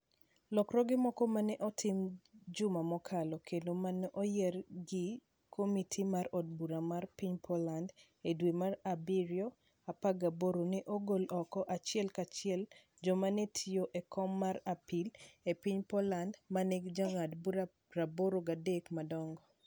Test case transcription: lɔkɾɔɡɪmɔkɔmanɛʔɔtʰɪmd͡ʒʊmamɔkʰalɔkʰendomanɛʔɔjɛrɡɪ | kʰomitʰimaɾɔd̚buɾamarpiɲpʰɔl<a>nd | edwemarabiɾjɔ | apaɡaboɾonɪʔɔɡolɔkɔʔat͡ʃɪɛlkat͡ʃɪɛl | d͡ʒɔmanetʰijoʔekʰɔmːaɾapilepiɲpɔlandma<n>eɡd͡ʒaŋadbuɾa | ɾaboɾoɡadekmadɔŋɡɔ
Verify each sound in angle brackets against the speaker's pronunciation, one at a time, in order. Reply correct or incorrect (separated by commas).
correct, correct